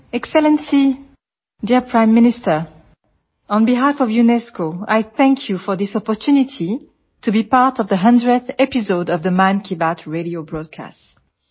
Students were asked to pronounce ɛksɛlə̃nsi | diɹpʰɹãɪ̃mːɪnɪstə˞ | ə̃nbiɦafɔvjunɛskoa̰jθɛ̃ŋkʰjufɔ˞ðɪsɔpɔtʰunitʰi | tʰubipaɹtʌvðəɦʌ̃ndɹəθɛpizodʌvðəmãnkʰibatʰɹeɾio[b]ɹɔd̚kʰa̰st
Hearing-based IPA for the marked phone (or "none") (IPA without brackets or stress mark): b